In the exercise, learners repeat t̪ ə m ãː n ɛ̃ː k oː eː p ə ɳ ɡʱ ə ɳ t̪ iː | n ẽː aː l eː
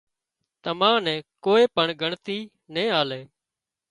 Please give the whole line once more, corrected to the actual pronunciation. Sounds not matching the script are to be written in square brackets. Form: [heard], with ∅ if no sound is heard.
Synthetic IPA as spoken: t̪ ə m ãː n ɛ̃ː k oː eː p ə ɳ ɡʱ ə ɳ t̪ iː | n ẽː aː l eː

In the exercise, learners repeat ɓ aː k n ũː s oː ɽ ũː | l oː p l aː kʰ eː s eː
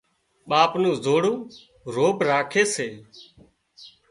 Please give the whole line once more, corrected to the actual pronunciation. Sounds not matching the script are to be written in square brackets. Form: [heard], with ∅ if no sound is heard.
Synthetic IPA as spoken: ɓ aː [p] n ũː [z] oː ɽ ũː | [ɾ] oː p [ɾ] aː kʰ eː s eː

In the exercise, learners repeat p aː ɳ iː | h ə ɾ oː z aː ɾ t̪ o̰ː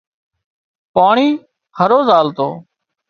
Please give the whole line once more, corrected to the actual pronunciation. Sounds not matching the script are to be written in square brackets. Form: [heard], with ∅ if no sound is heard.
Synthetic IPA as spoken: p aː ɳ iː | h ə ɾ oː z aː [l] t̪ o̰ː

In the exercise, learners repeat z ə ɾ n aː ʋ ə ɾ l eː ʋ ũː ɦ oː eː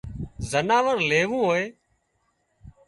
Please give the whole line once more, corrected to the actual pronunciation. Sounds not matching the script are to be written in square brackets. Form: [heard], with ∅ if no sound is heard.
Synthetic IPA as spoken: z ə [∅] n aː ʋ ə ɾ l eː ʋ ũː ɦ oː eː

